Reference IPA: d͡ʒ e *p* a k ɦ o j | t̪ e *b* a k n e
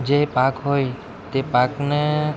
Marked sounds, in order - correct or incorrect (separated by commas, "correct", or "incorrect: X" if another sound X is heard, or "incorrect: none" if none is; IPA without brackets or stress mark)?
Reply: correct, incorrect: p